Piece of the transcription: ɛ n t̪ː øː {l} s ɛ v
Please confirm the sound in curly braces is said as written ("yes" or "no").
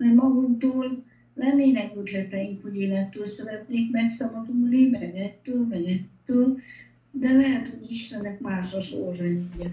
yes